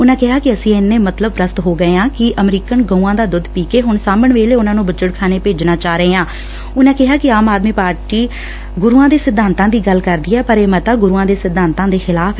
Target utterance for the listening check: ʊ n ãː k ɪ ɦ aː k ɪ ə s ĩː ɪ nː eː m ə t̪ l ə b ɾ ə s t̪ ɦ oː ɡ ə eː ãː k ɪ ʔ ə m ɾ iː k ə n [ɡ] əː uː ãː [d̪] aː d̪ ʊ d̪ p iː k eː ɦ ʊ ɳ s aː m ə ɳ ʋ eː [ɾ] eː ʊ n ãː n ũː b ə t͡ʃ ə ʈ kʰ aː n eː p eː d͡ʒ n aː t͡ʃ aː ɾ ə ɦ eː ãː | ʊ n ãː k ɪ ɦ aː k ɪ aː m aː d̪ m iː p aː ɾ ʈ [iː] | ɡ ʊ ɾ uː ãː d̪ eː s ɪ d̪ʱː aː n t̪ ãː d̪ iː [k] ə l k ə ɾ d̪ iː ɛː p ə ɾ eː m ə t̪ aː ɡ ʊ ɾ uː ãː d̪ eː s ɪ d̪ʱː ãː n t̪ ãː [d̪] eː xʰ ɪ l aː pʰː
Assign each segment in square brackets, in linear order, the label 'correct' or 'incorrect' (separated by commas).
correct, correct, incorrect, correct, incorrect, correct